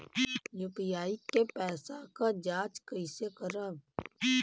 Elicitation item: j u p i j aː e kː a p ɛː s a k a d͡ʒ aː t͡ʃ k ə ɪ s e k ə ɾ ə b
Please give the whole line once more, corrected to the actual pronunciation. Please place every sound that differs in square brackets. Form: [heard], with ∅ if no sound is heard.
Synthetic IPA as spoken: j u p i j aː [i] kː [e] p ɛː s a k a d͡ʒ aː t͡ʃ k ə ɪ s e k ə ɾ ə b